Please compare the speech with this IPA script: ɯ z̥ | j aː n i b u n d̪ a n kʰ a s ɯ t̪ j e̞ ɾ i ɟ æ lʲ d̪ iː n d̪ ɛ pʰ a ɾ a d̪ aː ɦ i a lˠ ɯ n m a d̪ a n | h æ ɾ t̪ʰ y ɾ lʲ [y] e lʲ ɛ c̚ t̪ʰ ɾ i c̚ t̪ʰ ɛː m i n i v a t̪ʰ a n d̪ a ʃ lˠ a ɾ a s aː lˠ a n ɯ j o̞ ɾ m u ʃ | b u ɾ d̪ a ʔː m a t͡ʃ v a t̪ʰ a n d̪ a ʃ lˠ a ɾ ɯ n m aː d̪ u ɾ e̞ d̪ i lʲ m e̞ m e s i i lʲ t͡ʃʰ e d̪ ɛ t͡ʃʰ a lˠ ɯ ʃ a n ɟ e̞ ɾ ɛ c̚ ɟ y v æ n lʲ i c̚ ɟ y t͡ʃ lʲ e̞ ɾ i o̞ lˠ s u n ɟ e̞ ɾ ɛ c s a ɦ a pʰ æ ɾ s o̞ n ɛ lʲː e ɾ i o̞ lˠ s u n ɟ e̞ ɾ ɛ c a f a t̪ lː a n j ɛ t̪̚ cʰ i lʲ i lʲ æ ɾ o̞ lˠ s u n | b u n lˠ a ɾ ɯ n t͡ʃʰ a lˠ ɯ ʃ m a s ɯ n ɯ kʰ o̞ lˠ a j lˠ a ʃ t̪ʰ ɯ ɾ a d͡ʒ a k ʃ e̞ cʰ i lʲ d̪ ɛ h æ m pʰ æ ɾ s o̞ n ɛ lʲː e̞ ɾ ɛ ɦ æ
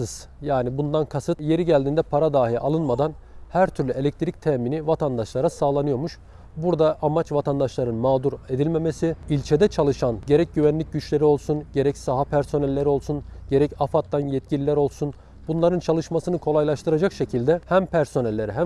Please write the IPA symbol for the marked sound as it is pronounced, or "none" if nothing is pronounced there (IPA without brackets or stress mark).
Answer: y